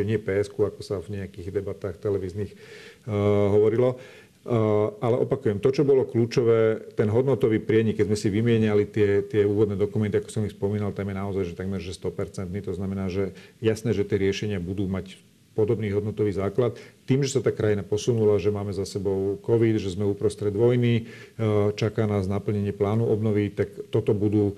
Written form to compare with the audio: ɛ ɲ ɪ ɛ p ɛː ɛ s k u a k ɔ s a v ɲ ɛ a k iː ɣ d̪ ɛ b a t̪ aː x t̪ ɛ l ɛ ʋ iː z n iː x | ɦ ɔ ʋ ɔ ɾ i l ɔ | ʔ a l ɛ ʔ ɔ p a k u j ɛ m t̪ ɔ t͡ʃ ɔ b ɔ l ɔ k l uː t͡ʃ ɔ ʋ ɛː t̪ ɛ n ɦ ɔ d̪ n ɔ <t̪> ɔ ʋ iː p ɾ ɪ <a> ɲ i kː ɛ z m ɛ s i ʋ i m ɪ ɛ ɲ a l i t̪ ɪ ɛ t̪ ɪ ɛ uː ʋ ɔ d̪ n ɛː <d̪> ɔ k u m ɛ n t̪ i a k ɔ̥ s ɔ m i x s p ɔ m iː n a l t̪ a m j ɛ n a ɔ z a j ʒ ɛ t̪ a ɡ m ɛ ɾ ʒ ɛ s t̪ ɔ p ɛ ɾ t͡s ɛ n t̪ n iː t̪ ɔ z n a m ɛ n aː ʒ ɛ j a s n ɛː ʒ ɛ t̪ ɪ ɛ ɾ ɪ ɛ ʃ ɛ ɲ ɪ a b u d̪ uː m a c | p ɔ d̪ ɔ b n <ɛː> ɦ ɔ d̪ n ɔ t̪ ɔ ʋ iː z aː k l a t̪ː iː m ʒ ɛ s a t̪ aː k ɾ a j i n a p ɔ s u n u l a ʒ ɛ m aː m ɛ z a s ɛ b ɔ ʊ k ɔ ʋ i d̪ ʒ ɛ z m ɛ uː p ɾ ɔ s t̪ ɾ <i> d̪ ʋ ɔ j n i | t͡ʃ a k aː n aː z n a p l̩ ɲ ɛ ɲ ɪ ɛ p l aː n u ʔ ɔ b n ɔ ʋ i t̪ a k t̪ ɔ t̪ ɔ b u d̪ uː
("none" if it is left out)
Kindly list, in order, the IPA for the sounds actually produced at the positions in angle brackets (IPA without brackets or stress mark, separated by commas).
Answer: t̪, ɛ, d̪, iː, ɛ